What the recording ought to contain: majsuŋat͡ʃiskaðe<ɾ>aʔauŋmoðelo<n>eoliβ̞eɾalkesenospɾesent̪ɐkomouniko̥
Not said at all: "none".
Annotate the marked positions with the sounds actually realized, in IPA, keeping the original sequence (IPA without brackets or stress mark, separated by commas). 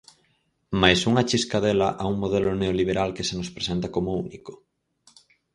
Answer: l, n